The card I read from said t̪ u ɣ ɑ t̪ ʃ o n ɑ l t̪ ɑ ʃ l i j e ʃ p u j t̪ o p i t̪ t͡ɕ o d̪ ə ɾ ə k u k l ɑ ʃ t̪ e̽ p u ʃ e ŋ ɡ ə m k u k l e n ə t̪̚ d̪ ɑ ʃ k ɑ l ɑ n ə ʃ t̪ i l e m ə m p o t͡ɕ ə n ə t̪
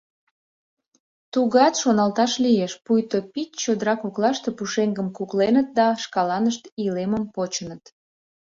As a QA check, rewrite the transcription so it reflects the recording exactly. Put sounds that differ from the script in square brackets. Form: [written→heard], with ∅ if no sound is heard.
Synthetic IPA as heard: t̪ u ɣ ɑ t̪ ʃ o n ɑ l t̪ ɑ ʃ l i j e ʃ p u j t̪ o p i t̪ t͡ɕ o d̪ ə ɾ [ə→ɑ] k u k l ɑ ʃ t̪ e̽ p u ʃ e ŋ ɡ ə m k u k l e n ə t̪̚ d̪ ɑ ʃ k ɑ l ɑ n ə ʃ t̪ i l e m ə m p o t͡ɕ ə n ə t̪